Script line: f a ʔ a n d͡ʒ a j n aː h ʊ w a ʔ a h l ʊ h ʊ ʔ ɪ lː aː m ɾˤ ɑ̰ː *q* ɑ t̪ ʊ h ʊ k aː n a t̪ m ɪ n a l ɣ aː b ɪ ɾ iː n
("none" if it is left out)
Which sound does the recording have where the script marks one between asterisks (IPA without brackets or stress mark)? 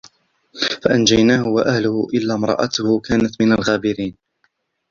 ʔ